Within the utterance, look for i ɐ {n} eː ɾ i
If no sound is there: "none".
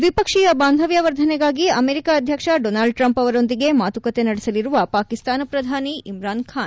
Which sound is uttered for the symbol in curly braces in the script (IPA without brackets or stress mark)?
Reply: m